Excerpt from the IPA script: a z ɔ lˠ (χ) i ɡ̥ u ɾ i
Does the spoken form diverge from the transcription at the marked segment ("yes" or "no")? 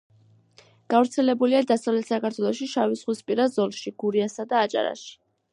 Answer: yes